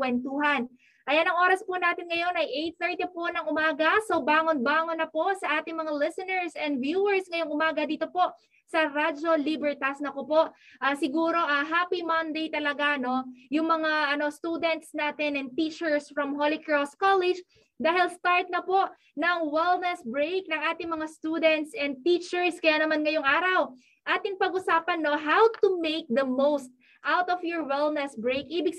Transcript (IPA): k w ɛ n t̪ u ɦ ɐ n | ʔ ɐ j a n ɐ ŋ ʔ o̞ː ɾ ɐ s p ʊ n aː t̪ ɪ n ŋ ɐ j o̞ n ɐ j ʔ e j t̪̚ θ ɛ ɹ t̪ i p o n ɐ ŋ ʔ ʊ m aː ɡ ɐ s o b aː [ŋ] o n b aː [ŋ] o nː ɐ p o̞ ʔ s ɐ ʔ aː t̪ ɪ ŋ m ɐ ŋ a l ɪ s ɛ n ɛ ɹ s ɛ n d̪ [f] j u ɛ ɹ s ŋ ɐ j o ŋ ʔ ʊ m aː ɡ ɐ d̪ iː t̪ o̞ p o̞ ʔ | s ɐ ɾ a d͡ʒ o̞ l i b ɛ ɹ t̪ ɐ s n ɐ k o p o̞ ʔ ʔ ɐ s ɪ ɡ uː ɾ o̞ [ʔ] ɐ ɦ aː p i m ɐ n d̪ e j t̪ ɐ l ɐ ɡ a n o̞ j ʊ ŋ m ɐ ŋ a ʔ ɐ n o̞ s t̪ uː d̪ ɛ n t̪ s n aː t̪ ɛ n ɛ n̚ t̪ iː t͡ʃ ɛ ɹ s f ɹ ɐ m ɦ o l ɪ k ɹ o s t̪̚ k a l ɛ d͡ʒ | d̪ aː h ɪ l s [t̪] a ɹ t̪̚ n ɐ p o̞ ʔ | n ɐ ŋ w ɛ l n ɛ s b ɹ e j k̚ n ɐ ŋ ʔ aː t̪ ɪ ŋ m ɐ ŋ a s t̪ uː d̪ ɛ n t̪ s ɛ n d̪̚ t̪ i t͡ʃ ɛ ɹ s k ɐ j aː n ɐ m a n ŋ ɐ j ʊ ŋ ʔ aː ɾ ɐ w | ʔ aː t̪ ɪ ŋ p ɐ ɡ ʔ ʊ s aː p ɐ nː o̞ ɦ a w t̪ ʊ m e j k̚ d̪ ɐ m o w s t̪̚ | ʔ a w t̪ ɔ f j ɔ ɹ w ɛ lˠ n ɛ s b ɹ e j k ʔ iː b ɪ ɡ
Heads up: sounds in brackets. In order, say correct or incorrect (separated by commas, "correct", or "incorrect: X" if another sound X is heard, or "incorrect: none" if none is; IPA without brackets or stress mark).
correct, correct, incorrect: v, correct, correct